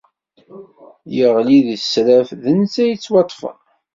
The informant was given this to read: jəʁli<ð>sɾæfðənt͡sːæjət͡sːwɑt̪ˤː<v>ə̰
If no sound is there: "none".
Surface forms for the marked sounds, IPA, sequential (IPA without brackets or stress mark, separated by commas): ð, f